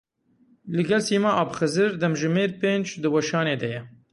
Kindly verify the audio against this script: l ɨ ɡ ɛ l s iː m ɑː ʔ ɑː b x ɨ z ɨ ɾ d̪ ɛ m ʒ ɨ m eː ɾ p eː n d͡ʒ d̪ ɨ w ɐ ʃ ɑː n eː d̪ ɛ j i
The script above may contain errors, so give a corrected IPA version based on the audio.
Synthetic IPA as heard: l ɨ ɡ ɛ l s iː m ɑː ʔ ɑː b x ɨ z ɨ ɾ d̪ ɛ m ʒ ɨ m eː ɾ p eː n d͡ʒ d̪ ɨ w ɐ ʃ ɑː n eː d̪ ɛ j ɛ

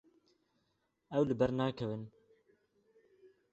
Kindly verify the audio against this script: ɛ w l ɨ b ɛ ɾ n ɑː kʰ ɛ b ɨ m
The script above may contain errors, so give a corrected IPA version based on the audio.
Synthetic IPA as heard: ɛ w l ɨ b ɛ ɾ n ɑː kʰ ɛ v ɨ n

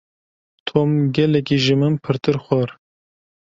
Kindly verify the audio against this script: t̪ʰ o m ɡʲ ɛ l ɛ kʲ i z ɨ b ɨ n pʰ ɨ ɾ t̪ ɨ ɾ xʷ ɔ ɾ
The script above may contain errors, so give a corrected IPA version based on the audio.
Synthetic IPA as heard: t̪ʰ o m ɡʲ ɛ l ɛ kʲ i ʒ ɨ m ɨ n pʰ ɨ ɾ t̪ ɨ ɾ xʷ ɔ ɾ

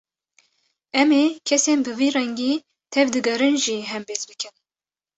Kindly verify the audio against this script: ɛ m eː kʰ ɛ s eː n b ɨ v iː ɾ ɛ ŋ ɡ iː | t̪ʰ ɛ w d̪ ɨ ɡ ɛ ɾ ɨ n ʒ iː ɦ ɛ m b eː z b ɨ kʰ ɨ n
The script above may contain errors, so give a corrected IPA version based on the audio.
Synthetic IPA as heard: ɛ m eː kʰ ɛ s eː n b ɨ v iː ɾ ɛ ŋ ɡ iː | t̪ʰ ɛ v d̪ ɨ ɡ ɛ ɾ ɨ n ʒ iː ɦ ɛ m b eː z b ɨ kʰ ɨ n

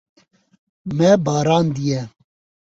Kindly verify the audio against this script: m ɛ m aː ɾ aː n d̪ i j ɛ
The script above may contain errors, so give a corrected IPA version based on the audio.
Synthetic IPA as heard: m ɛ b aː ɾ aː n d̪ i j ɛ

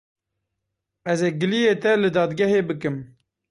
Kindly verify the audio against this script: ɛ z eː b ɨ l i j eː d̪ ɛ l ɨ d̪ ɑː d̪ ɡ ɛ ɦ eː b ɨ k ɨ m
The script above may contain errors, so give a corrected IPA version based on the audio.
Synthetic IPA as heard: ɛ z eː ɡ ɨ l i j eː t̪ ɛ l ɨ d̪ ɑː d̪ ɡ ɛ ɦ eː b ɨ k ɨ m

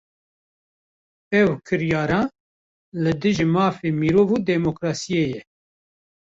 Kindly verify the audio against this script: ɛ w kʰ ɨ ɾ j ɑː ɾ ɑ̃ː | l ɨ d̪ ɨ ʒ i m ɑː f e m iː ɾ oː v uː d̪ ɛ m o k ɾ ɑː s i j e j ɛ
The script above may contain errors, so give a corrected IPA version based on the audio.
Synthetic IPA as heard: ɛ w kʰ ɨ ɾ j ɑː ɾ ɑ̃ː | l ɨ d̪ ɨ ʒ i m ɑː f e m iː ɾ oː v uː d̪ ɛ m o k ɾ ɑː s i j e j ɛ

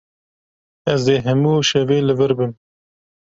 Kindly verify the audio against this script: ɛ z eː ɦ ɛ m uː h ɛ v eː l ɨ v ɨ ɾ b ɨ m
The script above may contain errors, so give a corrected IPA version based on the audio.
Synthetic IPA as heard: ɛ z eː ɦ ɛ m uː ʃ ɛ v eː l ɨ v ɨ ɾ b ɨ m

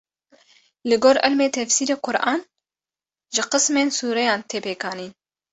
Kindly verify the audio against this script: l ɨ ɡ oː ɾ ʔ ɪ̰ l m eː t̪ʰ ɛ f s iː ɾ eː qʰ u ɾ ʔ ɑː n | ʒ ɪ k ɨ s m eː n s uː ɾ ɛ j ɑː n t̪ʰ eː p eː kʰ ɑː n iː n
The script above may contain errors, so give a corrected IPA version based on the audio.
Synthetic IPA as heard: l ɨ ɡ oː ɾ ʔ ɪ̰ l m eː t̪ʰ ɛ f s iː ɾ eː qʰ ʊ ɾ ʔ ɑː n | ʒ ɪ q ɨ s m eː n s uː ɾ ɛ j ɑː n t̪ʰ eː p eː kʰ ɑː n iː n

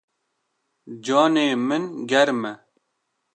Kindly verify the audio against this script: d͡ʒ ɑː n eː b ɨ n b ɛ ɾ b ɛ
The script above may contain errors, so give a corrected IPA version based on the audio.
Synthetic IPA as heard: d͡ʒ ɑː n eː m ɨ n ɡ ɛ ɾ m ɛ

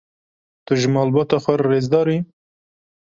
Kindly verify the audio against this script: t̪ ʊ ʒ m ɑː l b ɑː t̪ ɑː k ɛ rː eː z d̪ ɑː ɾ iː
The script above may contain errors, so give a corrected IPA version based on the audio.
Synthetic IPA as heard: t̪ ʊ ʒ m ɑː l b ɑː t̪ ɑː x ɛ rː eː z d̪ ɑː ɾ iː

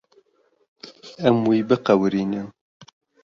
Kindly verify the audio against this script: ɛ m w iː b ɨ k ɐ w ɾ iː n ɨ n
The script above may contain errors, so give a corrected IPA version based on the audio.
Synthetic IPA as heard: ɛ m w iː b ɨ q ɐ w ɾ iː n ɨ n

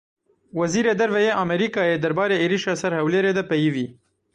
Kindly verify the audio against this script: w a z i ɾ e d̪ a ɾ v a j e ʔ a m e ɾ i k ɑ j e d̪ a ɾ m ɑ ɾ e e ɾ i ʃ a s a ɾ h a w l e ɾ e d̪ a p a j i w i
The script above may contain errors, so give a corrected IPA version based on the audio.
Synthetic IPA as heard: w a z i ɾ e d̪ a ɾ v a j e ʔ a m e ɾ i k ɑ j e d̪ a ɾ b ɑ ɾ e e ɾ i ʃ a s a ɾ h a w l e ɾ e d̪ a p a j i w i

